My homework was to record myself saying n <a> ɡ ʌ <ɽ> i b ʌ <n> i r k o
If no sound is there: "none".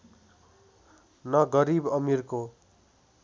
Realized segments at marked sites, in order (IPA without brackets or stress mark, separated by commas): ʌ, ɾ, m